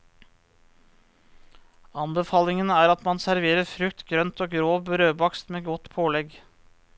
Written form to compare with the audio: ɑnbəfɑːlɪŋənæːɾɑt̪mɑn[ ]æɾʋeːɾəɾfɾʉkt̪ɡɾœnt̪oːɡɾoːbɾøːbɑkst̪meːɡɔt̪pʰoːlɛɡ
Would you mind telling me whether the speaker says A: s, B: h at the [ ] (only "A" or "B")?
A